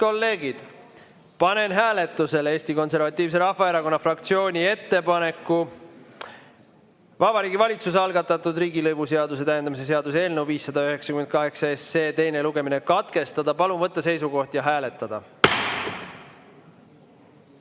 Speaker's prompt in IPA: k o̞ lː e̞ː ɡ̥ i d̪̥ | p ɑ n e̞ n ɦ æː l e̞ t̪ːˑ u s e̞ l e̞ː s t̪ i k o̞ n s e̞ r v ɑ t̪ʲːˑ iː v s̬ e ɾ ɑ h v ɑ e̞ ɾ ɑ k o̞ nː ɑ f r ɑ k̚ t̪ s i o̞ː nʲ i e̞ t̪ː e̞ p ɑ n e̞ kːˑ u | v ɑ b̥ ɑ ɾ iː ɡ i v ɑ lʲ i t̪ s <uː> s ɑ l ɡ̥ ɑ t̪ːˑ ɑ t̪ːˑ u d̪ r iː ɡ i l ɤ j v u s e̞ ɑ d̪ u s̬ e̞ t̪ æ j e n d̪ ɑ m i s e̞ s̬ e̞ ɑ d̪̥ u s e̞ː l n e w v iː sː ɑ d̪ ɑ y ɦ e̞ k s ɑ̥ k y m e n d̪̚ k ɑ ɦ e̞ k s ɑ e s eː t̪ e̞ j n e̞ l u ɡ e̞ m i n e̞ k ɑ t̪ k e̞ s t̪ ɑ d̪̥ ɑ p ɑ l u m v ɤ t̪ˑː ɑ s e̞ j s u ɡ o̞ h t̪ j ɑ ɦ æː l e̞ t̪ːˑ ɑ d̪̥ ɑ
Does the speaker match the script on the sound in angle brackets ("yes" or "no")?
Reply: no